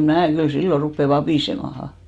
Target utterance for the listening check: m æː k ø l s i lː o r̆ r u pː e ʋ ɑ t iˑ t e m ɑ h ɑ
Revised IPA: m æː k y l s i lː o r̆ r u pː e ʋ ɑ p iˑ s e m ɑ h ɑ